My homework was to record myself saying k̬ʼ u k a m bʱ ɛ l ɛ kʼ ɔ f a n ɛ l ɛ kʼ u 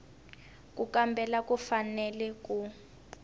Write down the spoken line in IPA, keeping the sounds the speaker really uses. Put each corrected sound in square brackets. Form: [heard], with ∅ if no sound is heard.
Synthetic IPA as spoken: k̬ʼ u k a m bʱ ɛ l [a] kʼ [u] f a n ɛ l ɛ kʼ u